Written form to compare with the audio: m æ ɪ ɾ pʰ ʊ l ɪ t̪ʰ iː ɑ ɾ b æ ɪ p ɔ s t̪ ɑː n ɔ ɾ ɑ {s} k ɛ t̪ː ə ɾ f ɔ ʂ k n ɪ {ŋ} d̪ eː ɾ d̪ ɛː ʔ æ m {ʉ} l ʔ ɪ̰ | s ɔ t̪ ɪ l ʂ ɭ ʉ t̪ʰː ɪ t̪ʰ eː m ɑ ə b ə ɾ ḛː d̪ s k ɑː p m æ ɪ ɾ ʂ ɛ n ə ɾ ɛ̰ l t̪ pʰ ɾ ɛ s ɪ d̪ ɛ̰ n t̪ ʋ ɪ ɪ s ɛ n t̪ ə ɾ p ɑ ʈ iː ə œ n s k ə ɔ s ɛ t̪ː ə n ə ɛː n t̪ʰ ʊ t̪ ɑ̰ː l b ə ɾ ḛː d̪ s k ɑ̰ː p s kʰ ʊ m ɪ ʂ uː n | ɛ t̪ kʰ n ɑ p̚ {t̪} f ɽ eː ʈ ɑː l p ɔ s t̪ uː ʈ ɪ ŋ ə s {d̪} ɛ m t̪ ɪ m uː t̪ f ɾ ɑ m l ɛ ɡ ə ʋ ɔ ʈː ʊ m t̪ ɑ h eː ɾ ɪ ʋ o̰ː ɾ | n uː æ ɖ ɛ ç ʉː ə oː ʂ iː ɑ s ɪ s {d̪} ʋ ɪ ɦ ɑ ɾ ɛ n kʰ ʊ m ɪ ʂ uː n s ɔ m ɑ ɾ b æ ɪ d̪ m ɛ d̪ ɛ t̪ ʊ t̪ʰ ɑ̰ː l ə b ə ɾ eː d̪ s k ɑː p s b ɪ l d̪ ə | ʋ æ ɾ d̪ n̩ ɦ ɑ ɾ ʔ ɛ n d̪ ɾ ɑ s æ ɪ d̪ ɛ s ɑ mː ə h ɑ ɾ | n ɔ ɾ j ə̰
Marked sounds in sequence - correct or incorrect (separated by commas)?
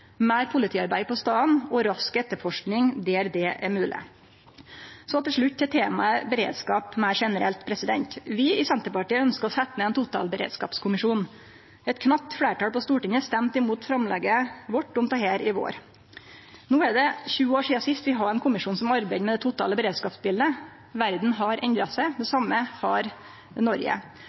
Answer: correct, correct, incorrect, correct, incorrect, incorrect